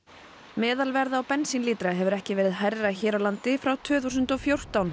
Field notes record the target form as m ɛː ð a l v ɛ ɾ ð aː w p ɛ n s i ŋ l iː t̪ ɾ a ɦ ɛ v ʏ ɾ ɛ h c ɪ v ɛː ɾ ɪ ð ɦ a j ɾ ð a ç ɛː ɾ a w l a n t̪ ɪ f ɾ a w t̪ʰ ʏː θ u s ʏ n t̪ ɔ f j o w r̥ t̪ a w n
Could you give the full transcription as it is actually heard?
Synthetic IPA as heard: m ɛː ð a l v ɛ ɾ ð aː w p ɛ n s i n l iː t̪ ɾ a ɦ ɛ v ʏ ɾ ɛ h c ɪ v ɛː ɾ ɪ ð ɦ a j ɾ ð a ç ɛː ɾ a w l a n t̪ ɪ f ɾ a w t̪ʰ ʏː θ u s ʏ n t̪ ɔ f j o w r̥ t̪ a w n

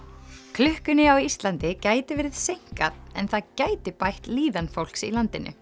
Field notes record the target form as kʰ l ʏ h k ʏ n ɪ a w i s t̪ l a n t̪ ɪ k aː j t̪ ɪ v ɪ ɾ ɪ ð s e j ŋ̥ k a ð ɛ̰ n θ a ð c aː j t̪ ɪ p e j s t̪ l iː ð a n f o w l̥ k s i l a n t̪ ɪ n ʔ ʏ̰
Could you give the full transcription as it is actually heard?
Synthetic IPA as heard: kʰ l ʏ h k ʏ n ɪ a w i s t̪ l a n t̪ ɪ c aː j t̪ ɪ v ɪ ɾ ɪ ð s e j ŋ̥ k a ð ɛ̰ n θ a ð c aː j t̪ ɪ p a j h t̪ l iː ð a n f o w l̥ k s i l a n t̪ ɪ n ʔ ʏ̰

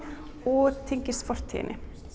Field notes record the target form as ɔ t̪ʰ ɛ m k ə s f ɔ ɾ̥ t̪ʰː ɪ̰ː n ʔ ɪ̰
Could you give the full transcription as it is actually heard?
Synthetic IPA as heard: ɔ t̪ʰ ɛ ŋ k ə s f ɔ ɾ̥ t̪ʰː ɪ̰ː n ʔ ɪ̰

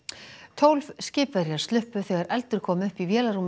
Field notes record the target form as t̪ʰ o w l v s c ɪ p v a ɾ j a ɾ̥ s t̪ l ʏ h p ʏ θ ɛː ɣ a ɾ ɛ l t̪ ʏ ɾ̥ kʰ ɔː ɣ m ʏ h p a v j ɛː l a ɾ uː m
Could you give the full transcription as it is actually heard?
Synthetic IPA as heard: t̪ʰ o w l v s c ɪː p v ɛ ɾ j a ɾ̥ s t̪ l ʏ h p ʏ θ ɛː ɣ a ɾ ɛ l t̪ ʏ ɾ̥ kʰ ɔː m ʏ h p i v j ɛː l a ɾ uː m

